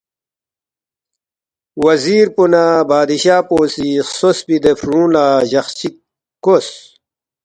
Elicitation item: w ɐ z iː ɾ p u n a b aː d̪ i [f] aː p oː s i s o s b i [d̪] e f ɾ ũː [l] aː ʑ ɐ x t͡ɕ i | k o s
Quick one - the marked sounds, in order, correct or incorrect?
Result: incorrect: ɕ, correct, correct

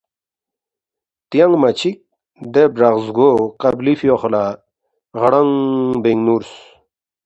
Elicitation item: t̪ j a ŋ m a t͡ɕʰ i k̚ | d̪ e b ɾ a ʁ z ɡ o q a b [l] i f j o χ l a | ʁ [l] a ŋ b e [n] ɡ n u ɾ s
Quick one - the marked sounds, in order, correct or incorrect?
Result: correct, incorrect: ɽ, incorrect: ŋ

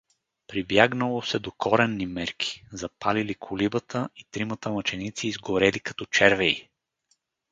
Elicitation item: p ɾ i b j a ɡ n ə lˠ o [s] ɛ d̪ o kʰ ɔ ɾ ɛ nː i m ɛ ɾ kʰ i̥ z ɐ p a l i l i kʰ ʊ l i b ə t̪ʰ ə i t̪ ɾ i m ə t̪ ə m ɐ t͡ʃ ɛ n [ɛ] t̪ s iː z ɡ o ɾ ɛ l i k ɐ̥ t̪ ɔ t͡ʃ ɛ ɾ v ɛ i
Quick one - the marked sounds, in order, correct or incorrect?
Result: correct, incorrect: i

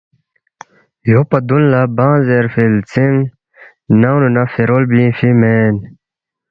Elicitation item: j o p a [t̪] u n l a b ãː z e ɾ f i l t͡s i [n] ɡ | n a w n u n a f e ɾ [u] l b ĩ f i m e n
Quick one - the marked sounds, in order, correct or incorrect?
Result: incorrect: d̪, incorrect: ŋ, incorrect: o

